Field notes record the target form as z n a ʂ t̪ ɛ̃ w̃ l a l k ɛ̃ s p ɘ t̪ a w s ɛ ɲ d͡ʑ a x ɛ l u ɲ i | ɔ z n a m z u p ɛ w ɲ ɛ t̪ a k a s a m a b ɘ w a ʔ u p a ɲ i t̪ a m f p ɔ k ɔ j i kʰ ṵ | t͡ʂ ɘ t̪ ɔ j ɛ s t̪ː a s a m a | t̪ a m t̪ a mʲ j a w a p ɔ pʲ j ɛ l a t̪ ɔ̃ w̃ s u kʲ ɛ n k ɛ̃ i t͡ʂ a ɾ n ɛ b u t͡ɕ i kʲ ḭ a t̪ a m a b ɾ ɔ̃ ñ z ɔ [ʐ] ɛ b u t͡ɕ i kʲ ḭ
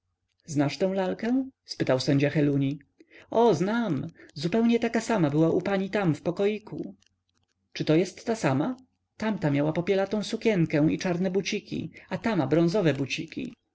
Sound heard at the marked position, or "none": v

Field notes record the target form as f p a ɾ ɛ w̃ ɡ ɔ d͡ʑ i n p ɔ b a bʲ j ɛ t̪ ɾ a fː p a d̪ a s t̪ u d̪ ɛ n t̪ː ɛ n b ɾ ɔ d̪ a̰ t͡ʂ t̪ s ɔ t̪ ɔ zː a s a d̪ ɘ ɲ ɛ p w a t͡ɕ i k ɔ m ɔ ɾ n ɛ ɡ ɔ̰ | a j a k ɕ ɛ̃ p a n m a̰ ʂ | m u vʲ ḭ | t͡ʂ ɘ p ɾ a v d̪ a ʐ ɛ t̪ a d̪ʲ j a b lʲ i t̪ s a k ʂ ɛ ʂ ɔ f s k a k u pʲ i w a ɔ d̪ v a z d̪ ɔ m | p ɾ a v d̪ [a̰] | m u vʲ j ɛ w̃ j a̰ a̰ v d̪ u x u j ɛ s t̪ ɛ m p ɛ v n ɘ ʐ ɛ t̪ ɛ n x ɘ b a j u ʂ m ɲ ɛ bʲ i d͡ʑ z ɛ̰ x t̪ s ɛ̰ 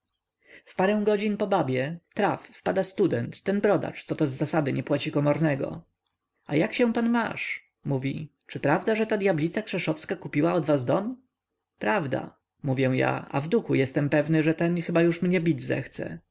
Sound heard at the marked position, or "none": a̰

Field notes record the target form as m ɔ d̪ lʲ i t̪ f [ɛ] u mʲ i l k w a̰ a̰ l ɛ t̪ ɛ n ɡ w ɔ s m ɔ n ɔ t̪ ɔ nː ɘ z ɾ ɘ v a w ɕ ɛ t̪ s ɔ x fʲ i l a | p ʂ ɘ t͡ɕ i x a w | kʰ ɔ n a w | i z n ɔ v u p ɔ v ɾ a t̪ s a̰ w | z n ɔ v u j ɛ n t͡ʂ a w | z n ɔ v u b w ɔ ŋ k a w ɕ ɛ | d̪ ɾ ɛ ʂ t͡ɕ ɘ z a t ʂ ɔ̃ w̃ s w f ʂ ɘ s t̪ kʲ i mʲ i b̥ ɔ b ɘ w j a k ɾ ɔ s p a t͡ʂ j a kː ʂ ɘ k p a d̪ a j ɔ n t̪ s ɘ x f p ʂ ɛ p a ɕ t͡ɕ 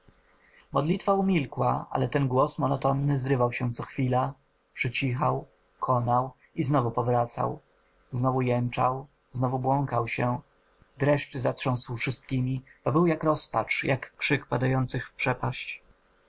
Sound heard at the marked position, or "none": a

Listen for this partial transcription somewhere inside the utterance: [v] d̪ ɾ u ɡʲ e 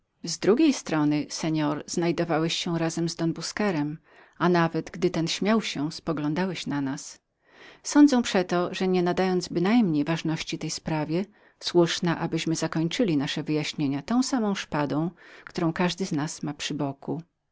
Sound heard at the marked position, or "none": z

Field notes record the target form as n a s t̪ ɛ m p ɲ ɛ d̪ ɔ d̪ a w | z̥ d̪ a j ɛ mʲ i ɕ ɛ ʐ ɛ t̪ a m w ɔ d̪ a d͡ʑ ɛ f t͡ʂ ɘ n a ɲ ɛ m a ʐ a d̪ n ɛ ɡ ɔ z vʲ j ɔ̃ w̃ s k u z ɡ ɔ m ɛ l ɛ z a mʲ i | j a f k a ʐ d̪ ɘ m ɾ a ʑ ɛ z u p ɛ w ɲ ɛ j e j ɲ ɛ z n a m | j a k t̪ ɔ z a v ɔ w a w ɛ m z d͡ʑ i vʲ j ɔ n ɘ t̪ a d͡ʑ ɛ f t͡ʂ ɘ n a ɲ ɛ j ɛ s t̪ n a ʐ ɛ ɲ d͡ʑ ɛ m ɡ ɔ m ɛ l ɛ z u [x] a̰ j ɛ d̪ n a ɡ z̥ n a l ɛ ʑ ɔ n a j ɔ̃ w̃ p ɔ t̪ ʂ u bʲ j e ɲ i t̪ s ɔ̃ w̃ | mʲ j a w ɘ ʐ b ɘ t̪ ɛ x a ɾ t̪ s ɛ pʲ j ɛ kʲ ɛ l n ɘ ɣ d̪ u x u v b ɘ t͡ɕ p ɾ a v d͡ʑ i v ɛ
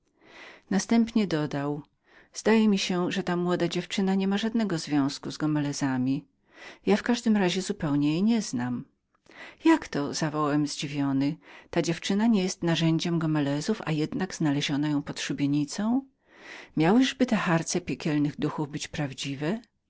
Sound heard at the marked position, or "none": f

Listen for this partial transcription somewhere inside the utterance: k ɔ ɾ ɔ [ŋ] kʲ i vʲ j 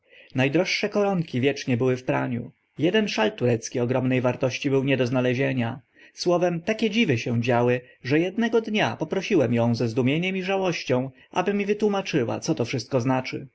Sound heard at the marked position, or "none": ŋ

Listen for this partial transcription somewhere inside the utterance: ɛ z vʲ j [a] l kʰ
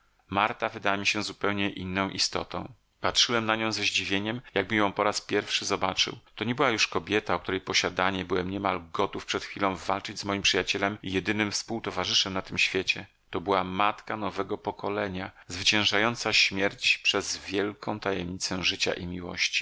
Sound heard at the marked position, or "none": ɛ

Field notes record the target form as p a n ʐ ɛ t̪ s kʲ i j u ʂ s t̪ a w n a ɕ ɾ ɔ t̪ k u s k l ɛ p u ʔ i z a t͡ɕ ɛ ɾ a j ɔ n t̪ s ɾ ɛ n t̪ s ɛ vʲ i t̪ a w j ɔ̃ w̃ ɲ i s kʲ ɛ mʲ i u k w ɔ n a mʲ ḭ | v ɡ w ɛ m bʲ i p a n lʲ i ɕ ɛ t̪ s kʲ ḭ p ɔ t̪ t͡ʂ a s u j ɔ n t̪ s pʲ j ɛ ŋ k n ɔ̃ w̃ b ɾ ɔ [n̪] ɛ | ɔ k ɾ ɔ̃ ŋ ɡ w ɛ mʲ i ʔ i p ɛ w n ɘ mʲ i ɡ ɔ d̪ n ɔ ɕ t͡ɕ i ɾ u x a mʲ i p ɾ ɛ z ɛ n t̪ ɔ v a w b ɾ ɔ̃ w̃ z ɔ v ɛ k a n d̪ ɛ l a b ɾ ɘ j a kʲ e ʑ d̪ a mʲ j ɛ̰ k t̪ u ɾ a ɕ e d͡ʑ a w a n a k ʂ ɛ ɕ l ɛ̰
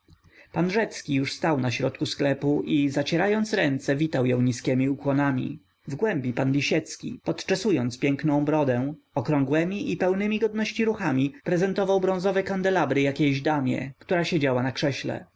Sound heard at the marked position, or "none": d̪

